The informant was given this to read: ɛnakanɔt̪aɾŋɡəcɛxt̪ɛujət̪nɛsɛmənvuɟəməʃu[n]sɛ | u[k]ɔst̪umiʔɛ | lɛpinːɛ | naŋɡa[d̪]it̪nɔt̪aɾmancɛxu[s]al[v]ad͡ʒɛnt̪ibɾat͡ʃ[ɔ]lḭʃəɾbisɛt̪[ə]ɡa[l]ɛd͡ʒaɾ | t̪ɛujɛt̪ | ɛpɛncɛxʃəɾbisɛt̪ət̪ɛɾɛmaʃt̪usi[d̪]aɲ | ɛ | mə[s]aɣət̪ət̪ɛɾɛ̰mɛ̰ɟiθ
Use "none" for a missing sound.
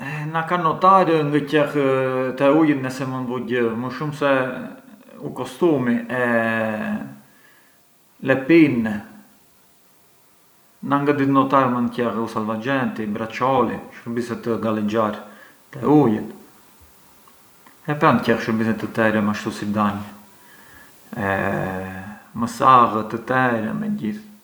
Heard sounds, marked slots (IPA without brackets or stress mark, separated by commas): m, k, d̪, s, v, ɔ, ə, l, d̪, s